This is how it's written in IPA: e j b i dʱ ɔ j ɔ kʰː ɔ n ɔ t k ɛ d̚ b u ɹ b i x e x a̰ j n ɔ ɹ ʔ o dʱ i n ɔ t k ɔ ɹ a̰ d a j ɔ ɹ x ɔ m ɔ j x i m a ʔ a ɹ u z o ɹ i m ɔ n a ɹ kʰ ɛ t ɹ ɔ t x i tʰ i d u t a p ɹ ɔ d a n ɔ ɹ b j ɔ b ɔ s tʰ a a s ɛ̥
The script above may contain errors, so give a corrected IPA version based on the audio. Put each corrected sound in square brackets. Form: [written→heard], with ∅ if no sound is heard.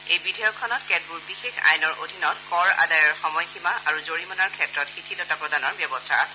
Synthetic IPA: e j b i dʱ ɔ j ɔ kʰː ɔ n ɔ t k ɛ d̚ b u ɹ b i x e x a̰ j n ɔ ɹ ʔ o dʱ i n ɔ t k ɔ ɹ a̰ d a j ɔ ɹ x ɔ m ɔ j x i m a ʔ a ɹ u z o ɹ i m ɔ n a ɹ kʰ ɛ t ɹ ɔ t x i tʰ i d [u→ɔ] t a p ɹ ɔ d a n ɔ ɹ b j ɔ b ɔ s tʰ a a s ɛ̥